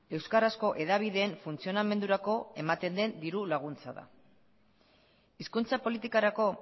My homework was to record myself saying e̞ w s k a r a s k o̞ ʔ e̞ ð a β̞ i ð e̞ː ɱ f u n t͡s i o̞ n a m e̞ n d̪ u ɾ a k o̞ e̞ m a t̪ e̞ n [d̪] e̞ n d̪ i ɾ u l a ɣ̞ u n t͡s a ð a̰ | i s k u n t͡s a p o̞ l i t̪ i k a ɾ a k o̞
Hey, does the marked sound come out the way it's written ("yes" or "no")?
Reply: yes